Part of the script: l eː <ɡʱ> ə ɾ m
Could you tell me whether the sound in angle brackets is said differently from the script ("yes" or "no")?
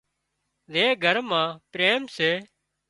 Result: no